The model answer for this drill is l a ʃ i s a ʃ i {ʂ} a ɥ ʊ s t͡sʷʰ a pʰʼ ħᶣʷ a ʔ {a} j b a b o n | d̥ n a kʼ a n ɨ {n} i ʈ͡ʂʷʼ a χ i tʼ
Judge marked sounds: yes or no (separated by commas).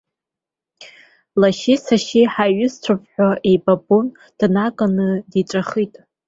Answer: no, no, no